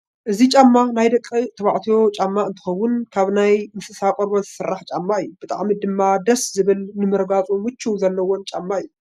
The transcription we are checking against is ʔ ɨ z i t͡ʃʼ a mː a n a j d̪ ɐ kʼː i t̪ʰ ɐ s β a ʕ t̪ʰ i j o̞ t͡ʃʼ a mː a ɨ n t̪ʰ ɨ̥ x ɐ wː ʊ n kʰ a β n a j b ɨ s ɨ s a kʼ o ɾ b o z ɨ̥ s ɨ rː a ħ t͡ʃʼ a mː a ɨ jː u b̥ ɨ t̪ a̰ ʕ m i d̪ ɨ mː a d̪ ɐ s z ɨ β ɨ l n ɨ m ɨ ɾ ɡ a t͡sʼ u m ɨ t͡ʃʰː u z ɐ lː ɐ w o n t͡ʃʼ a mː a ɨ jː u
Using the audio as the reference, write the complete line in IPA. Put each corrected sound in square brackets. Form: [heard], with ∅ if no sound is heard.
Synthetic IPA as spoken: ʔ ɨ z i t͡ʃʼ a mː a n a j d̪ ɐ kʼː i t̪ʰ ɐ [∅] β a ʕ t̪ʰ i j o̞ t͡ʃʼ a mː a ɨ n t̪ʰ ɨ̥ x ɐ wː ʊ n kʰ a β n a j [m] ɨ s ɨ s a kʼ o ɾ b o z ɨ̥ s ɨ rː a ħ t͡ʃʼ a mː a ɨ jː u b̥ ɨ [t̪ʼ] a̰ ʕ m i d̪ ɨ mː a d̪ ɐ s z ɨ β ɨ l n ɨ m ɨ ɾ ɡ a t͡sʼ u m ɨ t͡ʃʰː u z ɐ lː ɐ w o n t͡ʃʼ a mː a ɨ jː u